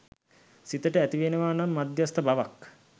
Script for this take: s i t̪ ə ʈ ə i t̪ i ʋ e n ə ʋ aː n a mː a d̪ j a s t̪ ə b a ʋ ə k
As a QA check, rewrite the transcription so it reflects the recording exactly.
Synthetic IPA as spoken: s i t̪ ə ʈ ə æ t̪ i ʋ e n ə ʋ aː n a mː a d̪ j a s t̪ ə b a ʋ a k

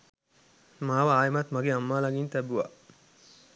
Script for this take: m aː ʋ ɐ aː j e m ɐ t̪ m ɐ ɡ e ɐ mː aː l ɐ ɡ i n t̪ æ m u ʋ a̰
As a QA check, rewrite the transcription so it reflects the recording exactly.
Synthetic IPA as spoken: m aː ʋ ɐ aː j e m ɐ t̪ m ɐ ɡ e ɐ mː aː l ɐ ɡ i n t̪ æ b u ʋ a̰

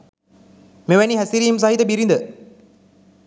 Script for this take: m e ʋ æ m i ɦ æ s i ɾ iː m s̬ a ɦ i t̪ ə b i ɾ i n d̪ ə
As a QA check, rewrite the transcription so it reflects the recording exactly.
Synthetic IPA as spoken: m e ʋ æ n i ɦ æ s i ɾ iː m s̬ a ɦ i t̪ ə b i ɾ i n d̪ ə

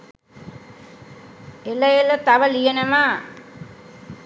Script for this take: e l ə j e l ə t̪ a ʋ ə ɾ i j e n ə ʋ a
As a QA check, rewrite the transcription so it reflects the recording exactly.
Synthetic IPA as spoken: e l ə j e l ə t̪ a ʋ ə l i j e n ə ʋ a

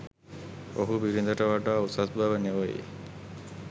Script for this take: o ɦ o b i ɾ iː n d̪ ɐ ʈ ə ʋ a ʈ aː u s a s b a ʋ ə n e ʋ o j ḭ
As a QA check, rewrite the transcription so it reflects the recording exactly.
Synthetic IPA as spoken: o ɦ u b i ɾ i n d̪ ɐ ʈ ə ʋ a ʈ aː u s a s b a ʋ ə n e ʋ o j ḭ

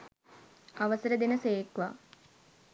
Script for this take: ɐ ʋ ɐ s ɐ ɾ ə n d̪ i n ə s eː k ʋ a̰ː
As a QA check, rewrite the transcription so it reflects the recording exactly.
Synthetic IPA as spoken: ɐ ʋ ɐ s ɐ ɾ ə d̪ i n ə s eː k ʋ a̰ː

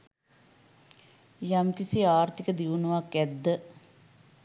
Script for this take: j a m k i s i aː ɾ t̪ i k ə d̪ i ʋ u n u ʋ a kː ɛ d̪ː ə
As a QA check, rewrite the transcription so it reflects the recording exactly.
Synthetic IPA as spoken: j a m k i s i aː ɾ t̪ i k ə d̪ i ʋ u n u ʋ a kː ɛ d̪ː ə

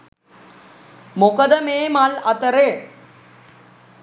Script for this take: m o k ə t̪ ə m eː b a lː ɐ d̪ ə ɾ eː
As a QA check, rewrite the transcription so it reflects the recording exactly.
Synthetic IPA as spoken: m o k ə d̪ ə m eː m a l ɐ t̪ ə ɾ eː

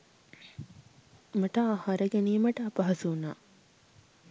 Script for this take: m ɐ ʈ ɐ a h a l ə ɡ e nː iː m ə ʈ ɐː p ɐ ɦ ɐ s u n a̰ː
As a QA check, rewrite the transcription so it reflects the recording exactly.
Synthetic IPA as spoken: m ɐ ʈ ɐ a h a ɾ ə ɡ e n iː m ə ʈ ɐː p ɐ ɦ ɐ s u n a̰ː

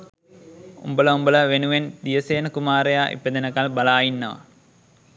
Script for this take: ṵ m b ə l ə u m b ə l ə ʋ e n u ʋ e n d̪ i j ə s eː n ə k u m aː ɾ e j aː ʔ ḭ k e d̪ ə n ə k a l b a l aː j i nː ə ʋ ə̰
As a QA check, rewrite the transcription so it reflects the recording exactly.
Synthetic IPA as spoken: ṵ m b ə l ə u m b ə l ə ʋ e n u ʋ e n d̪ i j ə s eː n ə k u m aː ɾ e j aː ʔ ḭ p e d̪ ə n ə k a l b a l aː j i nː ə ʋ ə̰

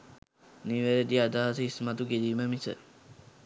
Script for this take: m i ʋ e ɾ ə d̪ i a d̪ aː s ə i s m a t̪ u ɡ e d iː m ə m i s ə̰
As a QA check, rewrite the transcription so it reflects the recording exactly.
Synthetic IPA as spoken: n i ʋ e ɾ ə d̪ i a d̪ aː s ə i s m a t̪ u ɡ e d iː m ə m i s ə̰

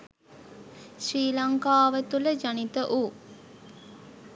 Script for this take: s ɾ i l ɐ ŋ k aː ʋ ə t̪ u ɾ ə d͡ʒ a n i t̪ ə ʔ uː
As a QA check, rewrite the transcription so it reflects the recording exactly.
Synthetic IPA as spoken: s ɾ iː l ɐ ŋ k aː ʋ ə t̪ u l ə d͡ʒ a n i t̪ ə ʔ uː

